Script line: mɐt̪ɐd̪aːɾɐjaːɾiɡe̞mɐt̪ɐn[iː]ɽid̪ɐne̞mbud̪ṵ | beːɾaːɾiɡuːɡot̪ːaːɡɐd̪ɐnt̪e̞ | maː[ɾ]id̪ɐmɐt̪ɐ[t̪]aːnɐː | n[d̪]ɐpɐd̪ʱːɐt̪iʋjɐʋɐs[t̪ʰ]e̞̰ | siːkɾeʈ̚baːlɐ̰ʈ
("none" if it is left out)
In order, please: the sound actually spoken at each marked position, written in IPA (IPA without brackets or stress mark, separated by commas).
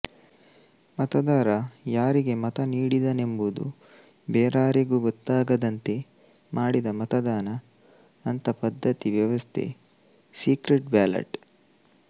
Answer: iː, ɽ, d̪, t̪, t̪ʰ